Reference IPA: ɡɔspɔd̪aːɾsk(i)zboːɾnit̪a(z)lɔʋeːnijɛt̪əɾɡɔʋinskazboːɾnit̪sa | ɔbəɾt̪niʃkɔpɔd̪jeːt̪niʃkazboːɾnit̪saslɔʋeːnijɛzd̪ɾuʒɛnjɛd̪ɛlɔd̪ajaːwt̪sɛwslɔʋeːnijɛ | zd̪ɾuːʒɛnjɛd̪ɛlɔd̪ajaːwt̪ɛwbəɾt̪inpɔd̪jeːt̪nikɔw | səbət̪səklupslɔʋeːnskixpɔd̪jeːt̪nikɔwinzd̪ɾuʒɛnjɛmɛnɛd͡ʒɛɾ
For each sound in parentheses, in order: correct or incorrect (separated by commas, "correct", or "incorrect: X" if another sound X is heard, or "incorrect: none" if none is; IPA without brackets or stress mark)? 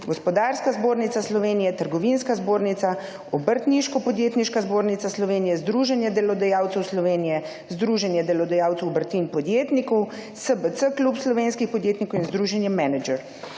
incorrect: a, incorrect: s